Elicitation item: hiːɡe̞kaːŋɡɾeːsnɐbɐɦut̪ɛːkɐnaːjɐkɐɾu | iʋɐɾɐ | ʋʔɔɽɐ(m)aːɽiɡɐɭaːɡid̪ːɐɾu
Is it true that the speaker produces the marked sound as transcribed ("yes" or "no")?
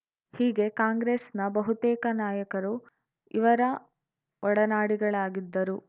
no